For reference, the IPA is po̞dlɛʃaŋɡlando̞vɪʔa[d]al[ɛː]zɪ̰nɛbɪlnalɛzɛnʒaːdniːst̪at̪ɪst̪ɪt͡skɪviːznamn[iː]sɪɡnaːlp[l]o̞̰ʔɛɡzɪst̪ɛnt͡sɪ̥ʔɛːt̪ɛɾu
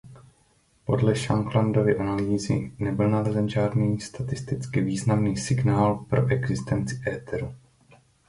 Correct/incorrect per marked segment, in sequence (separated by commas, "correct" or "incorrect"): incorrect, incorrect, correct, incorrect